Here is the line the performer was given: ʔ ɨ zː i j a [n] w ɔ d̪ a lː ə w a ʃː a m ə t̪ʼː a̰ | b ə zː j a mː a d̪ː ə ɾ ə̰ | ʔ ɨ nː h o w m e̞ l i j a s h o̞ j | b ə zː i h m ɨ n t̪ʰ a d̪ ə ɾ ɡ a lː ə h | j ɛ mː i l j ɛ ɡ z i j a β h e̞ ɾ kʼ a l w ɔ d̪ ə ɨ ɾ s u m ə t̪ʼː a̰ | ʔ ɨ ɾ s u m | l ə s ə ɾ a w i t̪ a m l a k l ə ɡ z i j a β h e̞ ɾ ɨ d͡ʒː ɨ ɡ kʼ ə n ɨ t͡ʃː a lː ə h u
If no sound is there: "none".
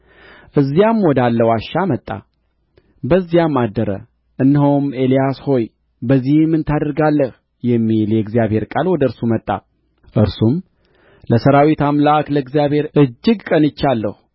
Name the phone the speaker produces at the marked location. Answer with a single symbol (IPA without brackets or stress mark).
m